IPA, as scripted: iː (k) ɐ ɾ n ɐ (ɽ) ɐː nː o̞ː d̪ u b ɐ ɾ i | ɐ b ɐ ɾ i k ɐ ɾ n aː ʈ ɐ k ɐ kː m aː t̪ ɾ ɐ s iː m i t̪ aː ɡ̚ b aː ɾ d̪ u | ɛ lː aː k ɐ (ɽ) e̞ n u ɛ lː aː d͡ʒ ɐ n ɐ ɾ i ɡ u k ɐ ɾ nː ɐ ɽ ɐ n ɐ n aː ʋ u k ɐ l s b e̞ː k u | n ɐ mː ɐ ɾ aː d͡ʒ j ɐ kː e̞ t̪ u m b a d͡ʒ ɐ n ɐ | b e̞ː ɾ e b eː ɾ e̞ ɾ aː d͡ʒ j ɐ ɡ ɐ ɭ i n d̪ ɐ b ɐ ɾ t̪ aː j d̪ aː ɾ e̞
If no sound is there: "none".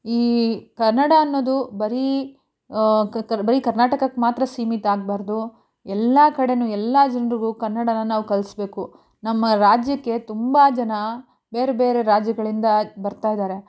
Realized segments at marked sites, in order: k, ɽ, ɽ

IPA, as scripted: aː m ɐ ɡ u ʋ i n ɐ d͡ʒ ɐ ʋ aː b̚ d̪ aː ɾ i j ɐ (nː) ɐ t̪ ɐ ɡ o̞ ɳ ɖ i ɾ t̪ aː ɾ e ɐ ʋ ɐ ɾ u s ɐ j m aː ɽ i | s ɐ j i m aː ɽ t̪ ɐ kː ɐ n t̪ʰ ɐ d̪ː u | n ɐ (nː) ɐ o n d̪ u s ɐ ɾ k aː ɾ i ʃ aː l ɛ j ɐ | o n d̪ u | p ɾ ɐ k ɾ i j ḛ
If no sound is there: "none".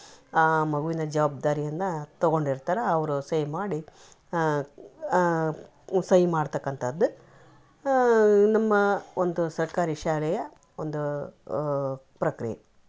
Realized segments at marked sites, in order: nː, mː

